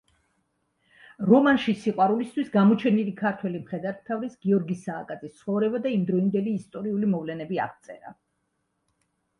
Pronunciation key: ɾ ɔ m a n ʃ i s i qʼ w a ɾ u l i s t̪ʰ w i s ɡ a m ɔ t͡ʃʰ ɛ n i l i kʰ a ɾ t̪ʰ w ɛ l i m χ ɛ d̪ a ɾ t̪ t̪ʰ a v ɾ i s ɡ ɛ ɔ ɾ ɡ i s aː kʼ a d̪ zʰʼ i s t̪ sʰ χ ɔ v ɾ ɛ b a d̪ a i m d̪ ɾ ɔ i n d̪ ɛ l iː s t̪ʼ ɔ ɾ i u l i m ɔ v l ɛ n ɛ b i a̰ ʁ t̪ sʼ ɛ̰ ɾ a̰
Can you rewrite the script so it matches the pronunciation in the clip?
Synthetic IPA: ɾ ɔ m a n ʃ i s i qʼ w a ɾ u l i s t̪ʰ w i s ɡ a m ɔ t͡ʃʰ ɛ n i l i kʰ a ɾ t̪ʰ w ɛ l i m χ ɛ d̪ a ɾ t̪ t̪ʰ a v ɾ i s ɡ i ɔ ɾ ɡ i s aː kʼ a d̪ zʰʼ i s t̪ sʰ χ ɔ v ɾ ɛ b a d̪ a i m d̪ ɾ ɔ i n d̪ ɛ l iː s t̪ʼ ɔ ɾ i u l i m ɔ v l ɛ n ɛ b i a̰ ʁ t̪ sʼ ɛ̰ ɾ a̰